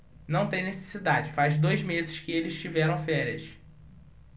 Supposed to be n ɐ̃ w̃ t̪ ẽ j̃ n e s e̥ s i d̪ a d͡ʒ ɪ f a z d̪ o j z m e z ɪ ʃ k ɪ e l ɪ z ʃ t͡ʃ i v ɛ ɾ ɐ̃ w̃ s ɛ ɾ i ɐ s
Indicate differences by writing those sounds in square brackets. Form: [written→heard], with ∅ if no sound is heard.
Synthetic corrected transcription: n ɐ̃ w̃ t̪ ẽ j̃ n e s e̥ s i d̪ a d͡ʒ ɪ f a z d̪ o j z m e z ɪ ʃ k ɪ e l ɪ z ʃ t͡ʃ i v ɛ ɾ ɐ̃ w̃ [s→f] ɛ ɾ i ɐ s

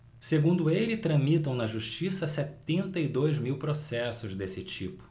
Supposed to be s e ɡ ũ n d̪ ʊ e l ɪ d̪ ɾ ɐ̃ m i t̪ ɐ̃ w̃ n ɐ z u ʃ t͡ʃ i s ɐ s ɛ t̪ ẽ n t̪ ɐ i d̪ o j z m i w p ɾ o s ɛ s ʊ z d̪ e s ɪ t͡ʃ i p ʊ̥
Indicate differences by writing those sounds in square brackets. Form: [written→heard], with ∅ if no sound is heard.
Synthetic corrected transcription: s e ɡ ũ n d̪ ʊ e l ɪ [d̪→t̪] ɾ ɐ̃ m i t̪ ɐ̃ w̃ n ɐ [z→ʒ] u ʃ t͡ʃ i s ɐ s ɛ t̪ ẽ n t̪ ɐ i d̪ o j z m i w p ɾ o s ɛ s ʊ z d̪ e s ɪ t͡ʃ i p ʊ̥

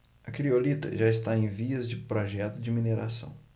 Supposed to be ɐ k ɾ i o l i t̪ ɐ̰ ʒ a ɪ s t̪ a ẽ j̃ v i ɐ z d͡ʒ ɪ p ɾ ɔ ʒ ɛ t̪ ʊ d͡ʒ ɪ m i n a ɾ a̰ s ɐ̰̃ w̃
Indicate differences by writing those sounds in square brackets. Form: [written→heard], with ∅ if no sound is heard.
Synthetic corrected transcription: ɐ k ɾ i o l i t̪ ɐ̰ ʒ a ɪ s t̪ a ẽ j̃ v i ɐ z d͡ʒ ɪ p ɾ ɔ ʒ ɛ t̪ ʊ d͡ʒ ɪ m i n [a→e] ɾ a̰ s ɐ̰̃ w̃

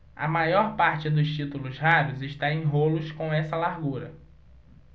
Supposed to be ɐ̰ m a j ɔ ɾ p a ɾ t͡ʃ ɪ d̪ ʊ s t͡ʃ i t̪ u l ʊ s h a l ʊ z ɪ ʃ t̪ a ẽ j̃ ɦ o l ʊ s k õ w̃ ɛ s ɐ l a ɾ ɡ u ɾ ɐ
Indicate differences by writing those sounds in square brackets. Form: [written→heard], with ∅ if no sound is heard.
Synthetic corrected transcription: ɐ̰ m a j ɔ ɾ p a ɾ t͡ʃ ɪ d̪ ʊ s t͡ʃ i t̪ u l ʊ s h a [l→ɾ] ʊ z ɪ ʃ t̪ a ẽ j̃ ɦ o l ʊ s k õ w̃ ɛ s ɐ l a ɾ ɡ u ɾ ɐ

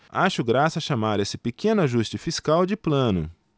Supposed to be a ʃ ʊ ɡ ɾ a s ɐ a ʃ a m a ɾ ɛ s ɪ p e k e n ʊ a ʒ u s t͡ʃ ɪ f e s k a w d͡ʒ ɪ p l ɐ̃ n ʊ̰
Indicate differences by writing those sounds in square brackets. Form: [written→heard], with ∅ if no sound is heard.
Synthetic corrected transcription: a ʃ ʊ ɡ ɾ a s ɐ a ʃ a m a ɾ [ɛ→e] s ɪ p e k [e→ẽ] n ʊ a ʒ u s t͡ʃ ɪ f [e→i] s k a w d͡ʒ ɪ p l ɐ̃ n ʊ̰

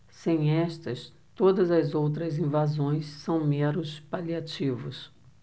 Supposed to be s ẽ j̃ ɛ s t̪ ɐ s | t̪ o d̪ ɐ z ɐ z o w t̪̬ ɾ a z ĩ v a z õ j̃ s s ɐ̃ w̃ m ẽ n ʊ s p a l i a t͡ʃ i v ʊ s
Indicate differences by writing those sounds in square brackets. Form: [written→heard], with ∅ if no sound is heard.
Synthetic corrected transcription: s ẽ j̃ ɛ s t̪ ɐ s | t̪ o d̪ ɐ z ɐ z o w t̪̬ ɾ [a→ɐ] z ĩ v a z õ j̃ s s ɐ̃ w̃ m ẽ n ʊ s p a l i a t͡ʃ i v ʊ s

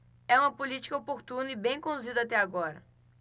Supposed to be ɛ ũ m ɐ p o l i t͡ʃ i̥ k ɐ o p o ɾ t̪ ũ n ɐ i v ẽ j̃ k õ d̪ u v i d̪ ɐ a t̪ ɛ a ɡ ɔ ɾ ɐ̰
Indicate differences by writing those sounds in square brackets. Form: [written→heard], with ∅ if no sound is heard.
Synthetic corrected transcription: ɛ ũ m ɐ p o l i t͡ʃ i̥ k ɐ o p o ɾ t̪ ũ n ɐ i [v→b] ẽ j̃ k õ d̪ u [v→z] i d̪ ɐ a t̪ ɛ a ɡ ɔ ɾ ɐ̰

